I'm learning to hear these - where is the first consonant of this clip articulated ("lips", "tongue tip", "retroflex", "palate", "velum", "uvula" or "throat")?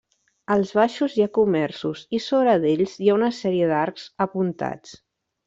tongue tip